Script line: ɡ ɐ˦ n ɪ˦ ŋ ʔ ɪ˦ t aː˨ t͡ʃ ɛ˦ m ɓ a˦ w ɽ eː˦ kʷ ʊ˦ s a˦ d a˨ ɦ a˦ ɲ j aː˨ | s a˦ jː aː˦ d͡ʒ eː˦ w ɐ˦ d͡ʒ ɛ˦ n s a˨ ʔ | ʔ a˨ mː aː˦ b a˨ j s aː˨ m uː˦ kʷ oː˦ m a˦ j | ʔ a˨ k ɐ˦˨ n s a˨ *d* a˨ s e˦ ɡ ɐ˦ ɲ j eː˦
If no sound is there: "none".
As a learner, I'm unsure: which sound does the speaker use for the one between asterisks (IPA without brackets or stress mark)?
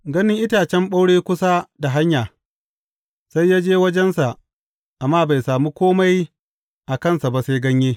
b